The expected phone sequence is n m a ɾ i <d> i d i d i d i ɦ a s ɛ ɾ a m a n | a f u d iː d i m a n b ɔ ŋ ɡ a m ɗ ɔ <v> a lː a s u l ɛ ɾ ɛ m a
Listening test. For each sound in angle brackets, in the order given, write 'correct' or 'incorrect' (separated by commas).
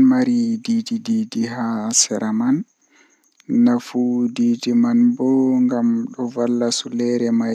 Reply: correct, correct